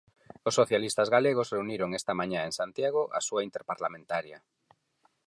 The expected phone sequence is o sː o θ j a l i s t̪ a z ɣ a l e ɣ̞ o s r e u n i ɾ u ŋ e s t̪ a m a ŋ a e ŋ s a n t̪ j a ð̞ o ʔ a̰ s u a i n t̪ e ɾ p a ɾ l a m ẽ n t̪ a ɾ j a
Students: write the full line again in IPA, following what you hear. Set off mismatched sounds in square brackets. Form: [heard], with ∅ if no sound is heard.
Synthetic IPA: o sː o θ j a l i s t̪ a z ɣ a l e ɣ̞ o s r e u n i ɾ [o] ŋ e s t̪ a m a [ɲ] a e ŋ s a n t̪ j a [ɣ̞] o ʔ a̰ s u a i n t̪ e ɾ p a ɾ l a m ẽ n t̪ a ɾ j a